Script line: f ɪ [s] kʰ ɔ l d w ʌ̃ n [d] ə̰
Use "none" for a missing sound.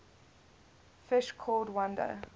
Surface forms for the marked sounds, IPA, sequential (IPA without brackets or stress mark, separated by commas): ʃ, d